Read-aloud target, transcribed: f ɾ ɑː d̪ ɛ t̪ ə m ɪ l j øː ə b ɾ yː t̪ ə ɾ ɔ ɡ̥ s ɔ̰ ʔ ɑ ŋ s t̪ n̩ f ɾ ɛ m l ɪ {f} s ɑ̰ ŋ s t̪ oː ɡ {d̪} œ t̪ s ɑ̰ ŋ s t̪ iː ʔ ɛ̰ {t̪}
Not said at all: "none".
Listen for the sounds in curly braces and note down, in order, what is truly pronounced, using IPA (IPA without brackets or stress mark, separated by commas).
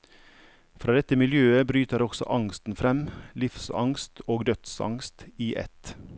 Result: f, d̪, t̪